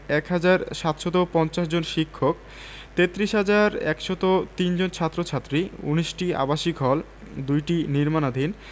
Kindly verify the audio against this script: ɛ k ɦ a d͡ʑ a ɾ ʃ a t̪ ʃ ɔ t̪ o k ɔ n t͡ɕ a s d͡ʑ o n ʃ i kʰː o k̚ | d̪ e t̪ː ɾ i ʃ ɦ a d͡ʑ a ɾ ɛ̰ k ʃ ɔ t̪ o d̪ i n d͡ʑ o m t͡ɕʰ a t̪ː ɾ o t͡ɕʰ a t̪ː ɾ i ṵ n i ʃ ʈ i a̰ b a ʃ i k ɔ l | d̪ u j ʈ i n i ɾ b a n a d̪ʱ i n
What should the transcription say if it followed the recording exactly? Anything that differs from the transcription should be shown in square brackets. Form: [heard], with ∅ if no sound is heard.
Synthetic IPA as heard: ɛ k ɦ a d͡ʑ a ɾ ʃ a t̪ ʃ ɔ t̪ o [p] ɔ n t͡ɕ a [ʃ] d͡ʑ o n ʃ i kʰː o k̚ | [t̪] e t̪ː ɾ i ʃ ɦ a d͡ʑ a ɾ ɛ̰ k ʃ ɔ t̪ o [t̪] i n d͡ʑ o [n] t͡ɕʰ a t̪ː ɾ o t͡ɕʰ a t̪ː ɾ i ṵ n i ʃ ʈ i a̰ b a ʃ i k ɔ l | d̪ u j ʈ i n i ɾ [m] a n a d̪ʱ i n

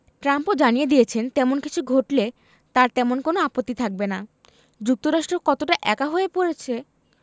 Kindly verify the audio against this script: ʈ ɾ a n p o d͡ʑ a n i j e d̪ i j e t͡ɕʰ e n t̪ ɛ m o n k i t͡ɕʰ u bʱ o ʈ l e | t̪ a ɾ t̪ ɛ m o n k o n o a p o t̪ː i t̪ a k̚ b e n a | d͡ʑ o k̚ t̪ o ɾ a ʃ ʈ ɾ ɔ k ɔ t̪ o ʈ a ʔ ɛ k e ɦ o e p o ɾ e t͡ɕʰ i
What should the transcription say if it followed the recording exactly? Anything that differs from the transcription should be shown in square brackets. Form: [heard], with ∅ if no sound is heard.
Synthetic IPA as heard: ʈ ɾ a [m] p o d͡ʑ a n i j e d̪ i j e t͡ɕʰ e n t̪ ɛ m o n k i t͡ɕʰ u [ɡʱ] o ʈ l e | t̪ a ɾ t̪ ɛ m o n k o n o a p o t̪ː i [t̪ʰ] a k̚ b e n a | d͡ʑ [u] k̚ t̪ o ɾ a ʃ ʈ ɾ [o] k ɔ t̪ o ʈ a ʔ ɛ k [a] ɦ o e p o ɾ e t͡ɕʰ [e]

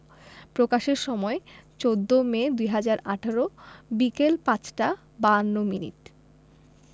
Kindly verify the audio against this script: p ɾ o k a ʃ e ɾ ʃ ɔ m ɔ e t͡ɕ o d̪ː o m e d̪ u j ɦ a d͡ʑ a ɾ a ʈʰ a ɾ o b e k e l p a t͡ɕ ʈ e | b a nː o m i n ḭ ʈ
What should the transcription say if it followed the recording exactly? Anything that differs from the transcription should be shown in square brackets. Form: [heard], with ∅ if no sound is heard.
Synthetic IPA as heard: p ɾ o k a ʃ e ɾ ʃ ɔ m ɔ e t͡ɕ o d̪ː o m e d̪ u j ɦ a d͡ʑ a ɾ a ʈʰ a ɾ o b [i] k e l p a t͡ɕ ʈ [a] | b a nː o m i n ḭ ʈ

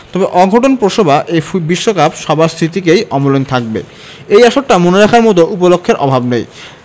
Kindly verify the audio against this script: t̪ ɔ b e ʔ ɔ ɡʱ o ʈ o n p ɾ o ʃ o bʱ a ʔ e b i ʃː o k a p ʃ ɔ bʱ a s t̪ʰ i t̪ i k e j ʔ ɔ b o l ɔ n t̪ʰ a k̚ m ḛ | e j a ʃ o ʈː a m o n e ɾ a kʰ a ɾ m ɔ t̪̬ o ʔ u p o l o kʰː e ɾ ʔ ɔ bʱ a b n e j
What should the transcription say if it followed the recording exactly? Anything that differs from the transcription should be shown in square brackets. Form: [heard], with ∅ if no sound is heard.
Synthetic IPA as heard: t̪ ɔ b e ʔ ɔ ɡʱ o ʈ o n p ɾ o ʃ o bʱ a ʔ e b i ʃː o k a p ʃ ɔ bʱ a s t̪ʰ i t̪ i k e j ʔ ɔ [m] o l [o] n t̪ʰ a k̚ [b] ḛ | e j a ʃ o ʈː a m o n e ɾ a kʰ a ɾ m ɔ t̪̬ o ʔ u p o l o kʰː e ɾ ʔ ɔ bʱ a b n e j

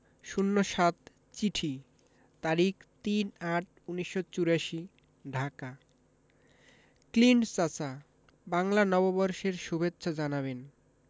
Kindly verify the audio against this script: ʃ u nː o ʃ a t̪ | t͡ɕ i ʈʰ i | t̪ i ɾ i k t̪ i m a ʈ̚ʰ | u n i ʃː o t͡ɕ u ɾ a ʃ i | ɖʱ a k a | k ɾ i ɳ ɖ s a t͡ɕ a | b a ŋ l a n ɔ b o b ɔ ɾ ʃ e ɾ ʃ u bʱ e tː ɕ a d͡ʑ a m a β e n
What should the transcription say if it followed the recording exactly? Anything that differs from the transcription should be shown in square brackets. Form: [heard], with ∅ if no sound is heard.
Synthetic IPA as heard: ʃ u nː o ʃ a t̪ | t͡ɕ i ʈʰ i | t̪ [a] ɾ i k t̪ i [n] a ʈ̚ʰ | u n i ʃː o t͡ɕ u ɾ a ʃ i | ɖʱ a k a | k [l] i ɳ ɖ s a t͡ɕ a | b a ŋ l a n ɔ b o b ɔ ɾ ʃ e ɾ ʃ u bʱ e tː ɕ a d͡ʑ a [n] a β e n

